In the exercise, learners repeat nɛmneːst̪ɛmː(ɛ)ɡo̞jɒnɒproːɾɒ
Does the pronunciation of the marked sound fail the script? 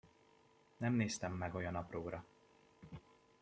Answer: no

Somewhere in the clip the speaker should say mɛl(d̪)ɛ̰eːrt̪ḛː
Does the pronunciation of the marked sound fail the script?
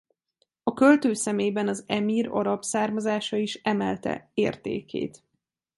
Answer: yes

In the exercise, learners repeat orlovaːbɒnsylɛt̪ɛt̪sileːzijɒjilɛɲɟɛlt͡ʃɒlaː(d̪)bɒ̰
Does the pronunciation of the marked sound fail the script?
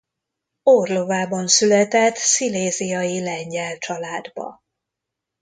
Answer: no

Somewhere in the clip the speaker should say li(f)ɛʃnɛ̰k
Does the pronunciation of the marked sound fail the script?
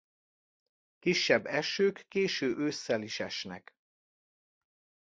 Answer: yes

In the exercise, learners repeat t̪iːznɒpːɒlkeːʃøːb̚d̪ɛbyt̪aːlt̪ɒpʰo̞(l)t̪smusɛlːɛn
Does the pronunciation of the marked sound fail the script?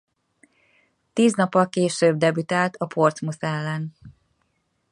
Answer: yes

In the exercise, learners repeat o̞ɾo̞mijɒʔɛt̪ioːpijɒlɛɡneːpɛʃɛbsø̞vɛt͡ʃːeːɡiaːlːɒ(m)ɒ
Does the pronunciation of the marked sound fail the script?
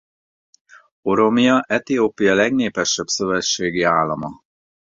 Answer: no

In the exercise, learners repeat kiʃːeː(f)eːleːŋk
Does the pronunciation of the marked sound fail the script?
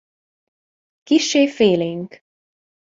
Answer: no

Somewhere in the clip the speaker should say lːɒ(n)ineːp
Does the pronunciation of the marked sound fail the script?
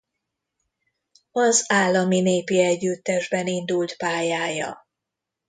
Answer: yes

